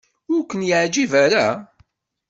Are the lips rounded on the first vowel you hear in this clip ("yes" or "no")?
yes